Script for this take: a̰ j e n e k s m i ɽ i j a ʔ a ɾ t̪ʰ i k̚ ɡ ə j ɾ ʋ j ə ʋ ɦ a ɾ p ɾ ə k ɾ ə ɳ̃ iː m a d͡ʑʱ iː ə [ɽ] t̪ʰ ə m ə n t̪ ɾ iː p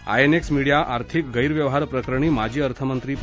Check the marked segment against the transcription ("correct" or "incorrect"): incorrect